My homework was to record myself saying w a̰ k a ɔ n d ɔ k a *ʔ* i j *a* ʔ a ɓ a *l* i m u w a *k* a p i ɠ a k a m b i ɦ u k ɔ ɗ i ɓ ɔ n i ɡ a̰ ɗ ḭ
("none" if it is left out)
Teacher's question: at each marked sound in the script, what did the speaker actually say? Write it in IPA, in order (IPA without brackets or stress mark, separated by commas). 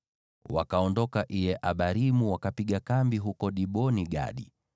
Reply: ʔ, ɛ, ɾ, k